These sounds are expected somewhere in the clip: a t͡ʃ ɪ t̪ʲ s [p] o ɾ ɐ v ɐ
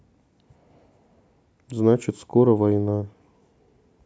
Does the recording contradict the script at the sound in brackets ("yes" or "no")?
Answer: yes